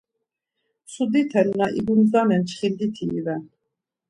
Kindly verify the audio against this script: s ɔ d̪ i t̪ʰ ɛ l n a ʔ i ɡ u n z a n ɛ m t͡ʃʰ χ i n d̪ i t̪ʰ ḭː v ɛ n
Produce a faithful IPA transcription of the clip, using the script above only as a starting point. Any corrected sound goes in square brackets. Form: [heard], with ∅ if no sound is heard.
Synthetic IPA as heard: s [u] d̪ i t̪ʰ ɛ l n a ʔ i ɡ u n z a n ɛ [n] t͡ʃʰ χ i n d̪ i t̪ʰ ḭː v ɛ n